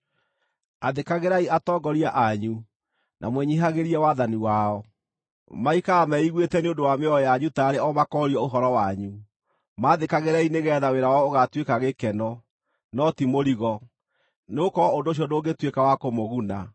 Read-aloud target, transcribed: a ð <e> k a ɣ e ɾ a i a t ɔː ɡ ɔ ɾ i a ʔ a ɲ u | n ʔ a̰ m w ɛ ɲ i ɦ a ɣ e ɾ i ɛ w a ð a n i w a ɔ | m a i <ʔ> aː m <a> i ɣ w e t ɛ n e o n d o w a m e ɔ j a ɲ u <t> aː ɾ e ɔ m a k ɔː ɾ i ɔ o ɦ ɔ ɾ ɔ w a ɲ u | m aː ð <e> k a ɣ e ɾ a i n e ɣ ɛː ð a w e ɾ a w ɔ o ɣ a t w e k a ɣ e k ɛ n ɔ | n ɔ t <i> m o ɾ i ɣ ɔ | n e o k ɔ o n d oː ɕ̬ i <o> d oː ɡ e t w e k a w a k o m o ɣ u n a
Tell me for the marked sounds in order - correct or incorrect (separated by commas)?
correct, incorrect, incorrect, correct, correct, correct, incorrect